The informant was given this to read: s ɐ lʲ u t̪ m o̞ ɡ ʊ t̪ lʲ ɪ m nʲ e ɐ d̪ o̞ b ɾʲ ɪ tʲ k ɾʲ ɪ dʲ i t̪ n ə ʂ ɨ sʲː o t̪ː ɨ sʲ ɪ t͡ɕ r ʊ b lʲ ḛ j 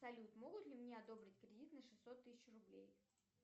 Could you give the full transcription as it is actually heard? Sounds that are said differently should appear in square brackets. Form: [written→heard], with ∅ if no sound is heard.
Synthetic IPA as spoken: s ɐ lʲ u t̪ m o̞ ɡ ʊ t̪ lʲ ɪ m nʲ e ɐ d̪ o̞ b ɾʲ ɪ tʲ k ɾʲ ɪ dʲ i t̪ n ə ʂ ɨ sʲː o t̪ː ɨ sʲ ɪ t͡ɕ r ʊ b lʲ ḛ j